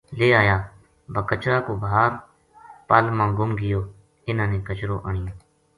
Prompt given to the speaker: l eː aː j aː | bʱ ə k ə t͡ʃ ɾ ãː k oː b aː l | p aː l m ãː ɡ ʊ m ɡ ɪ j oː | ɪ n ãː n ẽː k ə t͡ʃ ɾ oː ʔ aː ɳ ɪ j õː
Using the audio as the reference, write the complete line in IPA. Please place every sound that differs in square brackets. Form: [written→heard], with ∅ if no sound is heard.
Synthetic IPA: l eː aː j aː | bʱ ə k ə t͡ʃ ɾ [ãː→aː] k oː b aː [l→ɾ] | p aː l m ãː ɡ ʊ m ɡ ɪ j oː | ɪ n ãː n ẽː k ə t͡ʃ ɾ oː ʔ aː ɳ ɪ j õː